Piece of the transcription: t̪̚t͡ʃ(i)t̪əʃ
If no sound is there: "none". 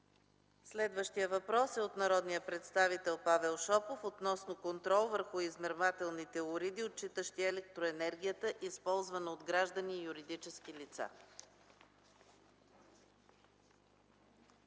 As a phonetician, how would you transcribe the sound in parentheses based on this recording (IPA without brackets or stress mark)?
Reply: i